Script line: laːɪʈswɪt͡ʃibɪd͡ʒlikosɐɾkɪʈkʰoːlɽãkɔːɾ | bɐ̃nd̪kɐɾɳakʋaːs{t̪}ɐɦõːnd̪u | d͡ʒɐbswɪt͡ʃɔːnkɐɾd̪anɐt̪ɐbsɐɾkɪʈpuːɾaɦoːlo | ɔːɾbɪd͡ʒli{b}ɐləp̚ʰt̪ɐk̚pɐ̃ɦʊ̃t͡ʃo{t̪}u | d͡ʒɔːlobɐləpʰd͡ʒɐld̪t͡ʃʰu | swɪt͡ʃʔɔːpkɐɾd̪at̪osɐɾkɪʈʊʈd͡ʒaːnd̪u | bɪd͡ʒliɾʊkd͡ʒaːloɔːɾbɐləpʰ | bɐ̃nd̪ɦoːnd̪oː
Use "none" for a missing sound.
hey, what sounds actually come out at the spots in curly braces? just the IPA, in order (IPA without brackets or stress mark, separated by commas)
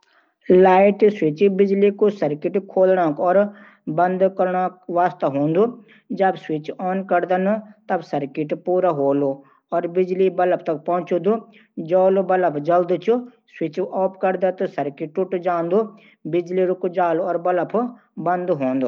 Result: t̪, b, d̪